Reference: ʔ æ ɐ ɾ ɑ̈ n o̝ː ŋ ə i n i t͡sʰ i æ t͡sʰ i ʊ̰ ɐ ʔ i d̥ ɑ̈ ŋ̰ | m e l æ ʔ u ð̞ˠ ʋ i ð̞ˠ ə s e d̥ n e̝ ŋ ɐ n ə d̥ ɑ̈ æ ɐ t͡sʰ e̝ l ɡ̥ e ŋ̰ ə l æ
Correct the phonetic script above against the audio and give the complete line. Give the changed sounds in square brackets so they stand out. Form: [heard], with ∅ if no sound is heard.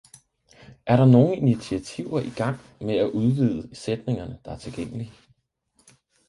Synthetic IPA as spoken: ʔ æ ɐ ɾ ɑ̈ n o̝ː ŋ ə i n i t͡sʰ i æ t͡sʰ i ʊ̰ ɐ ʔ i [ɡ̥] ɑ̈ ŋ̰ | m e [∅] æ ʔ u ð̞ˠ ʋ i ð̞ˠ ə s e d̥ n e̝ ŋ ɐ n ə d̥ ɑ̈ æ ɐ t͡sʰ e̝ l ɡ̥ e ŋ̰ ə l [i]